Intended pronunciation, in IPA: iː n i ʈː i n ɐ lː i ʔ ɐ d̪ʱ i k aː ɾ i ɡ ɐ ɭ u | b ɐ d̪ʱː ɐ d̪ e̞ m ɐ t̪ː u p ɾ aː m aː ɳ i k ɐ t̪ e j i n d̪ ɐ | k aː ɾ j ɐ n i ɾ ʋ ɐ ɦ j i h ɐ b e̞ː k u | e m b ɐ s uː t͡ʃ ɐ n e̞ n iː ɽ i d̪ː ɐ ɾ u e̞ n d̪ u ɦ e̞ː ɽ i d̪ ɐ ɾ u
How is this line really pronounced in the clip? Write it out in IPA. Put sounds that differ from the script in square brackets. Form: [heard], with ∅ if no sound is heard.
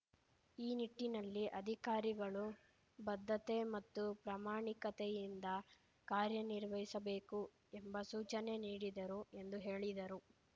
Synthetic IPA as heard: iː n i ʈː i n ɐ lː i ʔ ɐ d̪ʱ i k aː ɾ i ɡ ɐ ɭ u | b ɐ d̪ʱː ɐ [t̪] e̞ m ɐ t̪ː u p ɾ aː m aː ɳ i k ɐ t̪ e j i n d̪ ɐ | k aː ɾ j ɐ n i ɾ ʋ ɐ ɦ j i [s] ɐ b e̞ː k u | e m b ɐ s uː t͡ʃ ɐ n e̞ n iː ɽ i [d̪] ɐ ɾ u e̞ n d̪ u ɦ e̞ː [ɭ] i d̪ ɐ ɾ u